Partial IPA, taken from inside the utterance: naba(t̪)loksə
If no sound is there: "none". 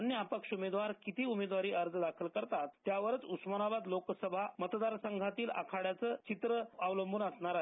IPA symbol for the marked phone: d̪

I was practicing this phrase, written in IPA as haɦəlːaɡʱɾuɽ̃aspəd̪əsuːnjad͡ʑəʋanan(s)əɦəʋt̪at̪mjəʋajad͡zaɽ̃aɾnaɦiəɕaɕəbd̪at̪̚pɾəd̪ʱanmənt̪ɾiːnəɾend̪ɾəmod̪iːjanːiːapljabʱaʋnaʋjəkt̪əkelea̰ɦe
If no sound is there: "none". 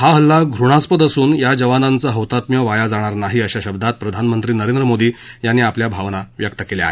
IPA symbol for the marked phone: t͡s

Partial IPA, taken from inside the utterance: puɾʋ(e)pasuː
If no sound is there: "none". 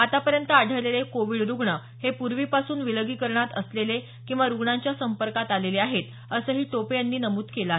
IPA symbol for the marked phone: i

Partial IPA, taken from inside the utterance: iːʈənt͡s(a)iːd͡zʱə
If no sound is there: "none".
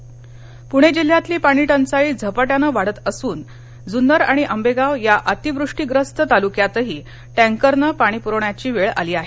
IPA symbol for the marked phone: a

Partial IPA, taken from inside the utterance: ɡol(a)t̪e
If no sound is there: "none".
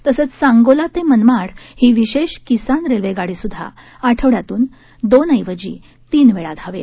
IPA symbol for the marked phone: a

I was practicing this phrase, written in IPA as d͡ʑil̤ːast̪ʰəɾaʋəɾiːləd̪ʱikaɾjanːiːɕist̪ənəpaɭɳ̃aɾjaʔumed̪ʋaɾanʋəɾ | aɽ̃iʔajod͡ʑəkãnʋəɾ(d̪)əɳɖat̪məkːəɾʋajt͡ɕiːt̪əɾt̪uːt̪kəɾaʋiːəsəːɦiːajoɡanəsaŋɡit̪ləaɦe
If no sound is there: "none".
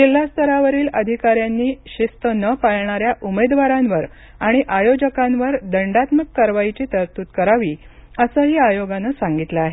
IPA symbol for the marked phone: d̪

